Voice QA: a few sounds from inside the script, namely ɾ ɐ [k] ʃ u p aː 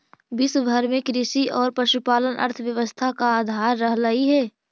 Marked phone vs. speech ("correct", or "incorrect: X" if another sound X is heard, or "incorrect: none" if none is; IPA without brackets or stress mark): incorrect: none